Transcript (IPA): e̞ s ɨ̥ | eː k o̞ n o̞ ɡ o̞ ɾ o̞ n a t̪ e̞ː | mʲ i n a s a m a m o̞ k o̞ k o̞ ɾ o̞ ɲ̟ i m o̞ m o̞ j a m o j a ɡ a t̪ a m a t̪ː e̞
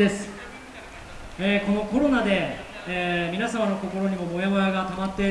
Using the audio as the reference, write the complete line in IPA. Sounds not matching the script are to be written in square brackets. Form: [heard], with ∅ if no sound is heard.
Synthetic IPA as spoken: e̞ s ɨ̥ | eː k o̞ n o̞ [k] o̞ ɾ o̞ n a [d̪] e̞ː | mʲ i n a s a m a [n] o̞ k o̞ k o̞ ɾ o̞ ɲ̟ i m o̞ m o̞ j a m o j a ɡ a t̪ a m a t̪ː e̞